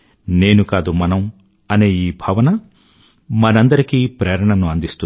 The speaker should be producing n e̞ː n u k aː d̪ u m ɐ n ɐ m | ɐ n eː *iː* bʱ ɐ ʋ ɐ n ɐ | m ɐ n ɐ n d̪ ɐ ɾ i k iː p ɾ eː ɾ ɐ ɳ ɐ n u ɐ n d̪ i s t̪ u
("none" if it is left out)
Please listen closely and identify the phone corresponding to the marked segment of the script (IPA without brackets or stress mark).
iː